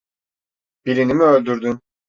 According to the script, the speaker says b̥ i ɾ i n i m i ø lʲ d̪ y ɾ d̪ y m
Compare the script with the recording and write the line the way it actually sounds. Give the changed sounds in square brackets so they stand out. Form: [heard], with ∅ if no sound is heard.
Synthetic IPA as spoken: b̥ i ɾ i n i m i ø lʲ d̪ y ɾ d̪ y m